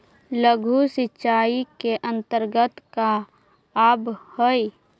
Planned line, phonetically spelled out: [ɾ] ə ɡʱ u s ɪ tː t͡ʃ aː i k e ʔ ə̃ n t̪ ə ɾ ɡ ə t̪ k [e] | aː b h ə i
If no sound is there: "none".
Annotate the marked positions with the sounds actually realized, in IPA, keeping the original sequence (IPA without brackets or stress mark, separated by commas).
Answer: l, a